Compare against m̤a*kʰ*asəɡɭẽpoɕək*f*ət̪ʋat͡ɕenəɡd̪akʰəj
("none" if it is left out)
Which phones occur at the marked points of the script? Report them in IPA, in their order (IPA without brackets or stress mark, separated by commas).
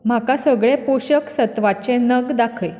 k, s